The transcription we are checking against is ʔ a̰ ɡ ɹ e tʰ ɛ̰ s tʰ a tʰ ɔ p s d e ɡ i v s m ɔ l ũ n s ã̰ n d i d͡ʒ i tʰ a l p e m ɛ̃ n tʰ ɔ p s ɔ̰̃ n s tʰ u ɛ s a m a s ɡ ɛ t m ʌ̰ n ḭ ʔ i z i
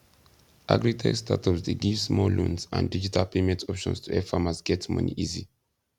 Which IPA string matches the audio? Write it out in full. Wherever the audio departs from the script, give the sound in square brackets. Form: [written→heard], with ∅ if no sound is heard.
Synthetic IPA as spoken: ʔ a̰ ɡ ɹ [e→i] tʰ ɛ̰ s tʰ a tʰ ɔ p s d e ɡ i v s m ɔ l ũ n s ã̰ n d i d͡ʒ i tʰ a l p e m ɛ̃ n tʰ ɔ p [s→ʃ] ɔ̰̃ n s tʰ u ɛ [s→f] a m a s ɡ ɛ t m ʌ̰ n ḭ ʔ i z i